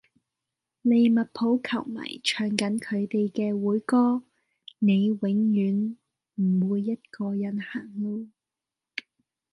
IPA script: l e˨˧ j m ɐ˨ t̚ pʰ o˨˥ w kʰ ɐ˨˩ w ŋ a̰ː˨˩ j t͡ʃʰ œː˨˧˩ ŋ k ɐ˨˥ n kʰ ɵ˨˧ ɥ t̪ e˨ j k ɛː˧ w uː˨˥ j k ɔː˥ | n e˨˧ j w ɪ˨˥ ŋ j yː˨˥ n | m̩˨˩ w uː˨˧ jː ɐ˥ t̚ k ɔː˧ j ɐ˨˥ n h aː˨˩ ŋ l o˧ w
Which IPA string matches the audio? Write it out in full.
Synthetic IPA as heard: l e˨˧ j m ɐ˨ t̚ pʰ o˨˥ w kʰ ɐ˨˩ w m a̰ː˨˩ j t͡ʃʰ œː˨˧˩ ŋ k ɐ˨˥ n kʰ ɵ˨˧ ɥ t̪ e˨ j k ɛː˧ w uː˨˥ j k ɔː˥ | n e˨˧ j w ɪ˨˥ ŋ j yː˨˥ n | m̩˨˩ w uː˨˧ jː ɐ˥ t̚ k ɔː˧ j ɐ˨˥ n h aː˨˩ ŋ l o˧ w